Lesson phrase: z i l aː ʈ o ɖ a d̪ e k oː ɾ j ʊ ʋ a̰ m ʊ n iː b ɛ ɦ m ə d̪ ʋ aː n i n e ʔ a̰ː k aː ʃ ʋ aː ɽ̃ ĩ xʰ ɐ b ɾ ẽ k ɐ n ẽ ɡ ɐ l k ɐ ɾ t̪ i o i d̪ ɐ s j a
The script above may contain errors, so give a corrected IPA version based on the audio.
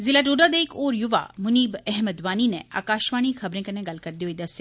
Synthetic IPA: z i l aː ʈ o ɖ a d̪ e k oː ɾ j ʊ ʋ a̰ m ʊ n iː b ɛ ɦ m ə d̪ ʋ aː n i n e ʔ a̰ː k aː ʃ ʋ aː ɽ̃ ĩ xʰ ɐ b ɾ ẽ k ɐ n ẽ ɡ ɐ l k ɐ ɾ d̪ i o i d̪ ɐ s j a